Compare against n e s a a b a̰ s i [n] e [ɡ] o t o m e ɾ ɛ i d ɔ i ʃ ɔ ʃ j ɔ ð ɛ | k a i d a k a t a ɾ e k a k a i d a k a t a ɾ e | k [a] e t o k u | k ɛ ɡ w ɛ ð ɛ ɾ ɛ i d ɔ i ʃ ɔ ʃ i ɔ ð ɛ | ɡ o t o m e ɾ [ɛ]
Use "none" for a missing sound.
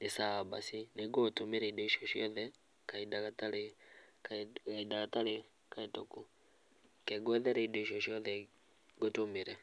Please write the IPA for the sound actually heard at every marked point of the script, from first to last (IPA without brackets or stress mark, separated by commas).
n, ɡ, a, ɛ